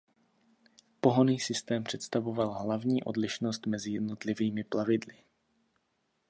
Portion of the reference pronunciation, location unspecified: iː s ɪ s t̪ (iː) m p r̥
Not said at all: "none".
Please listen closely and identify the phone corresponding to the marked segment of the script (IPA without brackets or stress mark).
ɛː